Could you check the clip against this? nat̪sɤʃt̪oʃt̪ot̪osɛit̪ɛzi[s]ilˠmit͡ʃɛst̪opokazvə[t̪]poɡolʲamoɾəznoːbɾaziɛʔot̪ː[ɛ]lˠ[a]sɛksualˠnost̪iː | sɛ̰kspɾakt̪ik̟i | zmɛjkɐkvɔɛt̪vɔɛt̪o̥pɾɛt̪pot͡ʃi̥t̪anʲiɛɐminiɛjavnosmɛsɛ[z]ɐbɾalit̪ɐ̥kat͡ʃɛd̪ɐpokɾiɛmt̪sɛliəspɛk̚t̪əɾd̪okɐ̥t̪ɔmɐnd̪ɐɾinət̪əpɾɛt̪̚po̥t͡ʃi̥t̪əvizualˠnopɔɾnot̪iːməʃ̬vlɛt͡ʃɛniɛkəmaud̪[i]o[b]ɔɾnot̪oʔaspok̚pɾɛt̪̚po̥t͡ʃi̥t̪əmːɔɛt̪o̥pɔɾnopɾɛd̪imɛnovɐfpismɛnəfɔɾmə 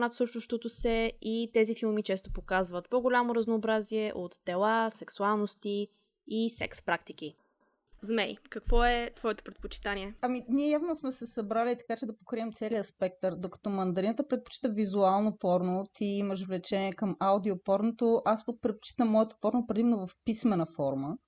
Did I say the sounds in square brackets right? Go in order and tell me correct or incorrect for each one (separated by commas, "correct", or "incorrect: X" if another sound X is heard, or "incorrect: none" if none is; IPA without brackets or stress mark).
incorrect: f, correct, correct, correct, incorrect: s, correct, incorrect: p